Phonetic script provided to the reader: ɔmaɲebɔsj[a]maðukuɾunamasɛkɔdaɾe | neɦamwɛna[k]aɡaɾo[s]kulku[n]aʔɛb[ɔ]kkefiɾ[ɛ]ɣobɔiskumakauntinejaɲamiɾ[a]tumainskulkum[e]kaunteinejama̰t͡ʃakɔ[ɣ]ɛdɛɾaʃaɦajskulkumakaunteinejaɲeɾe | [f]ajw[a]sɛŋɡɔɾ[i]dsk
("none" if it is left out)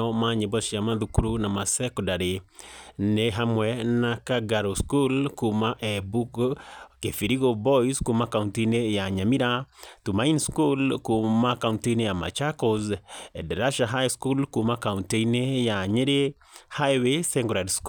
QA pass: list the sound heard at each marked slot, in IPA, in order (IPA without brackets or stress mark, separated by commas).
a, k, s, m, u, i, a, a, z, h, e, a